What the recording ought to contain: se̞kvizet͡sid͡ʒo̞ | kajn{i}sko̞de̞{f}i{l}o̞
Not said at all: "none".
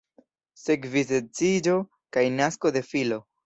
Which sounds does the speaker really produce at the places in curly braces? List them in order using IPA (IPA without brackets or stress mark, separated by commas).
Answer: a, f, l